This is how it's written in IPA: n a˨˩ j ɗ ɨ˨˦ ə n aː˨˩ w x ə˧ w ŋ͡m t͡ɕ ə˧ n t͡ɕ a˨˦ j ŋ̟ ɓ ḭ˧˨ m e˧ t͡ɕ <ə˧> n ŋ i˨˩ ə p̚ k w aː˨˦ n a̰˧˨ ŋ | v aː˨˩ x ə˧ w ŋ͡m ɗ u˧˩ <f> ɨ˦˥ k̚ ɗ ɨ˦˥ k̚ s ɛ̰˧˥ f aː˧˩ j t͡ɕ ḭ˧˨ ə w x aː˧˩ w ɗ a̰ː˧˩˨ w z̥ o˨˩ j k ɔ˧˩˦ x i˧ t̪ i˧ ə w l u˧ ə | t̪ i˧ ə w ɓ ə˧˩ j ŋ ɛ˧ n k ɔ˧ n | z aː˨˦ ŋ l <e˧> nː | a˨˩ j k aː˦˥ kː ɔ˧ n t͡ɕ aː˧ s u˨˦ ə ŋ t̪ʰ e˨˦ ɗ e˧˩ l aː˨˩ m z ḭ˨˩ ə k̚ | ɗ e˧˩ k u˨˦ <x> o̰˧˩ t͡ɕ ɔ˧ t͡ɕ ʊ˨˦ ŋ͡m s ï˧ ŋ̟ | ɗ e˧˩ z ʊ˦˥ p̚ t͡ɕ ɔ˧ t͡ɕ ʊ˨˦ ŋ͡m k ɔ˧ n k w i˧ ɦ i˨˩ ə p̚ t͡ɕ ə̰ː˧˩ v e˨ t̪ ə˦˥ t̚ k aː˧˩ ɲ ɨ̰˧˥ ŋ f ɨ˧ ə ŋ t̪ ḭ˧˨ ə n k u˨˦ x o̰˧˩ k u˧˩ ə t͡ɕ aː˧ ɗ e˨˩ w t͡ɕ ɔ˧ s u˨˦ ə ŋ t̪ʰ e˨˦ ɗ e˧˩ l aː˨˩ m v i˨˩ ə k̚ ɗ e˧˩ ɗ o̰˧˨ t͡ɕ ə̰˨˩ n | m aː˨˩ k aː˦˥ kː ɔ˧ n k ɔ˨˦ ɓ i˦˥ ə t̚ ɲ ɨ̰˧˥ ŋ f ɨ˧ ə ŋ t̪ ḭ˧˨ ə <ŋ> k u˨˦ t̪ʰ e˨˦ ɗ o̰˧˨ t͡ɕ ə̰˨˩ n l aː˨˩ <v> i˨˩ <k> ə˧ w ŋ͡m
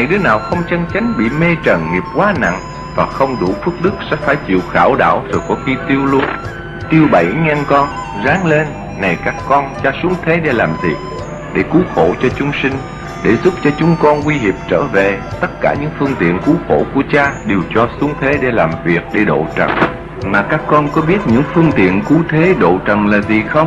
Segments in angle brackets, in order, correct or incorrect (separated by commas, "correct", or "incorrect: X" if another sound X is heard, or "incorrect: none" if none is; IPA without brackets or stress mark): incorrect: ə˨˩, correct, correct, correct, incorrect: n, incorrect: z, incorrect: x